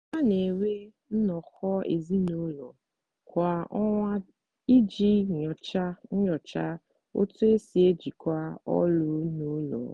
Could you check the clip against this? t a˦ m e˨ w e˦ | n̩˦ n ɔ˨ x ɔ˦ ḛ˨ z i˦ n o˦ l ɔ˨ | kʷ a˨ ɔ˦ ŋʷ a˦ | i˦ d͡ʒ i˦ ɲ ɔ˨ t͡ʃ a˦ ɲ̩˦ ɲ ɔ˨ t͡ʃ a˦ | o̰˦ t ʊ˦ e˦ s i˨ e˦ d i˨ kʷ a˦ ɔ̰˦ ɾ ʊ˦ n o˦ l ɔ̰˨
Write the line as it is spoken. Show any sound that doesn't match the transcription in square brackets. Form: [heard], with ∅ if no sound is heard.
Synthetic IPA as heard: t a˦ [n] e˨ w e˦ | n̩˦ n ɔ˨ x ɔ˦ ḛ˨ z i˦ n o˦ l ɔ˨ | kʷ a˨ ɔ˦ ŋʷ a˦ | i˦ d͡ʒ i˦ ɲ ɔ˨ t͡ʃ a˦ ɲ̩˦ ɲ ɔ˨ t͡ʃ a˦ | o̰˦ t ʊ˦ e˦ s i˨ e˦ [d͡ʒ] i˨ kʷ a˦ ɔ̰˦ [l] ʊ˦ n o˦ l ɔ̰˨